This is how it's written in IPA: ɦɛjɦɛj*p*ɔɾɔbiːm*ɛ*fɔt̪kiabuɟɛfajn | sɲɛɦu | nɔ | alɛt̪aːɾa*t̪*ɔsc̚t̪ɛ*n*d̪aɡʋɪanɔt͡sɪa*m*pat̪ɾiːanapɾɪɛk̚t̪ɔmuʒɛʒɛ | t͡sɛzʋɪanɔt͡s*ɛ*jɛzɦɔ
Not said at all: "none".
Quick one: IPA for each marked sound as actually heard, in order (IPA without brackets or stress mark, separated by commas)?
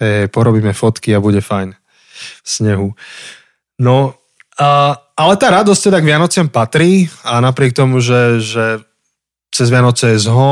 p, ɛ, d̪, none, m, ɛ